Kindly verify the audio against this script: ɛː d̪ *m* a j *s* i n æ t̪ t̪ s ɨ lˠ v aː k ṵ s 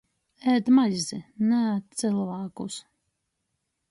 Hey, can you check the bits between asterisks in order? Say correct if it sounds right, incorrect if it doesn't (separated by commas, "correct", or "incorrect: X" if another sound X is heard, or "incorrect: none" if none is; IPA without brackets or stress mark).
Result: correct, incorrect: z